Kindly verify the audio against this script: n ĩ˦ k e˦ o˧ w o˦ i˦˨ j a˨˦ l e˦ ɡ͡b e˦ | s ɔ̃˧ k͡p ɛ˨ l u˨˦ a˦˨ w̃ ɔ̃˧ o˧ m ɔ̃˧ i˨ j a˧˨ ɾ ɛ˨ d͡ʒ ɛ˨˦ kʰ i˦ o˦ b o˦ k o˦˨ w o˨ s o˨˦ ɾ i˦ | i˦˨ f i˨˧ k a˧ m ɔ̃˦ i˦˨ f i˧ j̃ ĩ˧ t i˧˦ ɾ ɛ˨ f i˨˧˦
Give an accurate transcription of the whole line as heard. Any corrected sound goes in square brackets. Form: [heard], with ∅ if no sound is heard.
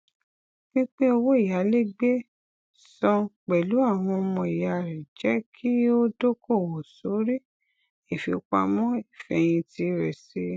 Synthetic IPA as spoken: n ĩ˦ [k͡p] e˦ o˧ w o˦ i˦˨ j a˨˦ l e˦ ɡ͡b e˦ | s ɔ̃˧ k͡p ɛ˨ l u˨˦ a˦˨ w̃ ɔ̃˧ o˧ m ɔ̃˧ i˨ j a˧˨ ɾ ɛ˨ d͡ʒ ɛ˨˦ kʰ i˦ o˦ [d] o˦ k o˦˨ w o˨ s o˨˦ ɾ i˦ | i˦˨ f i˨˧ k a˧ m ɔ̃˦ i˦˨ f [ɛ˧] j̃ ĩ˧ t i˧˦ ɾ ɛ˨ [s] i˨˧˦